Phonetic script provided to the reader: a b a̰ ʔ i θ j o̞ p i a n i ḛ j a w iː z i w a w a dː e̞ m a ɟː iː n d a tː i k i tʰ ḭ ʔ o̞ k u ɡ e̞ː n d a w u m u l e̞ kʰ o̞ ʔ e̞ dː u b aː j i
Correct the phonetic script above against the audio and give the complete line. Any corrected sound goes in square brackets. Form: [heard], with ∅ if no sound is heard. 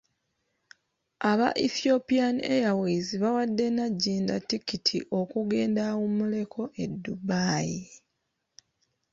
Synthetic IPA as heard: a [β] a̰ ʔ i θ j o̞ p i a n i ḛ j a w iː z i [β] a w a dː e̞ [n] a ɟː iː n d a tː i k i tʰ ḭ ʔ o̞ k u ɡ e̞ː n d a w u m u l e̞ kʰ o̞ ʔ e̞ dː u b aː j i